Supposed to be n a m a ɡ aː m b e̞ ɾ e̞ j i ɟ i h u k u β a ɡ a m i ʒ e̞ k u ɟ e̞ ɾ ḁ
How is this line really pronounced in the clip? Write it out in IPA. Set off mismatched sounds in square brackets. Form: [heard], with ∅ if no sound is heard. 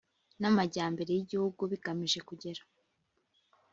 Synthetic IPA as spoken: n a m a [ɟ] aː m b e̞ ɾ e̞ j i ɟ i h u [ɡ] u β [i] ɡ a m i ʒ e̞ k u ɟ e̞ ɾ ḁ